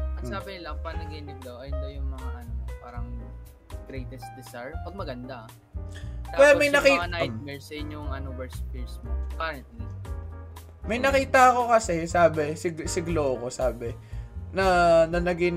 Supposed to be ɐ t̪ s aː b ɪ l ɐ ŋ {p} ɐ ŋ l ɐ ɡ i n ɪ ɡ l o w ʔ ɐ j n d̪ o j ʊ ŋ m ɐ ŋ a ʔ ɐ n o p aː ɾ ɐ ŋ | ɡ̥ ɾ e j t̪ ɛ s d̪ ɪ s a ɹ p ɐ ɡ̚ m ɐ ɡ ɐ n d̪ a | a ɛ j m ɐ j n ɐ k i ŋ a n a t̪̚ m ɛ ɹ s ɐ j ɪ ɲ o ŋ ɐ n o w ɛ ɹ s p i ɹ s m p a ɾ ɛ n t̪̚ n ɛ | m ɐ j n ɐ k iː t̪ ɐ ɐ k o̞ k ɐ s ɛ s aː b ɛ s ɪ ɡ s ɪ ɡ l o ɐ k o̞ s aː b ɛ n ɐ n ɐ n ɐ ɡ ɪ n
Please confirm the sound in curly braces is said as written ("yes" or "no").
yes